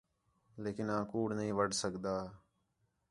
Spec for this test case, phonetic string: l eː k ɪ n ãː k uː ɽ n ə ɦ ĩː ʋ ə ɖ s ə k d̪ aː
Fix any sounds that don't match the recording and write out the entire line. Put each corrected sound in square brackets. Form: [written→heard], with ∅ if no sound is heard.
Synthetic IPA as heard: l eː k ɪ n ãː k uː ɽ n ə ɦ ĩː ʋ ə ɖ s ə k d̪ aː